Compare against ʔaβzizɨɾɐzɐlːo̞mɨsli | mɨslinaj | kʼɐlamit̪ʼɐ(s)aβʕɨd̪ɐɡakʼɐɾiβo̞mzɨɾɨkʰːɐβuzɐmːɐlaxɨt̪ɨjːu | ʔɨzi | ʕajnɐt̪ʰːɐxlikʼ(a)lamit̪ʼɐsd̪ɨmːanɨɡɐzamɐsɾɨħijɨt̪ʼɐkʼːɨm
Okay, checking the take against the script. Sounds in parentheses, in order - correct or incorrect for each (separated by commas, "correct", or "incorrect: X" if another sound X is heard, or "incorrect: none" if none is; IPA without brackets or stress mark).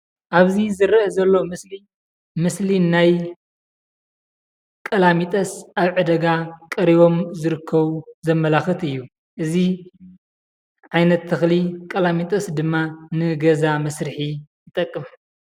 correct, incorrect: ɐ